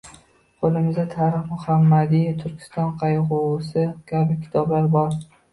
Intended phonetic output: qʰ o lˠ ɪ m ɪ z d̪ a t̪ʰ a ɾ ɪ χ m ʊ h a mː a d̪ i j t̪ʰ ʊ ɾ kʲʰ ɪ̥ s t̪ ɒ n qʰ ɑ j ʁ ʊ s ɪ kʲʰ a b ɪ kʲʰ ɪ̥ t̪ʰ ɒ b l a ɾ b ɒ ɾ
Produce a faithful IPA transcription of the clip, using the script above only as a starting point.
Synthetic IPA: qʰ o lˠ ɪ m ɪ z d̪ a t̪ʰ a ɾ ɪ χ m ʊ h a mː a d̪ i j t̪ʰ ʊ ɾ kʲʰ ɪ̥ s t̪ ɒ n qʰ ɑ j ʁ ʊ s ɪ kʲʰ a b ɪ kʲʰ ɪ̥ t̪ʰ ɒ b l a ɾ b ɒ ɾ